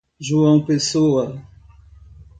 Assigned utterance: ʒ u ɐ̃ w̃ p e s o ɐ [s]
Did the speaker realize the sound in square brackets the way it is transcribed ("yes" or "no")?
no